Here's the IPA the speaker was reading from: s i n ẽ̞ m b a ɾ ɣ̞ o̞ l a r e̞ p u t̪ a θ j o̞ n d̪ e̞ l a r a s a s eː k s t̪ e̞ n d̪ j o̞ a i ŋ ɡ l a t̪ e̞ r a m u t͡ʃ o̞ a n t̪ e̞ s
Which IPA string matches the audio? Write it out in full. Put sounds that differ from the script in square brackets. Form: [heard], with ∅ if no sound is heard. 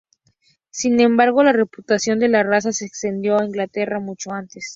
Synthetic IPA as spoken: s i n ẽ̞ m b a ɾ ɣ̞ o̞ l a r e̞ p u t̪ a [s] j o̞ n d̪ e̞ l a r a s a s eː k s t̪ e̞ n d̪ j o̞ a i ŋ ɡ l a t̪ e̞ r a m u t͡ʃ o̞ a n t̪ e̞ s